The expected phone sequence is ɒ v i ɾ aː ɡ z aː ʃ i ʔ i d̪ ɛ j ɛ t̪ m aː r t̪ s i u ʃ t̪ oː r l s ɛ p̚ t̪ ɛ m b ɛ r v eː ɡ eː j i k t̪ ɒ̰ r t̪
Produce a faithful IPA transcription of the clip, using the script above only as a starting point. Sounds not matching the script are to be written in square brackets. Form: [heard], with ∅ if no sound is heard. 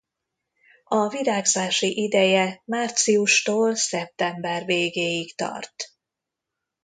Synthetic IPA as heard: ɒ v i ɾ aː ɡ z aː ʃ i ʔ i d̪ ɛ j ɛ [∅] m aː r t̪ s i u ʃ t̪ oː [∅] l s ɛ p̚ t̪ ɛ m b ɛ r v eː ɡ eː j i k t̪ ɒ̰ r t̪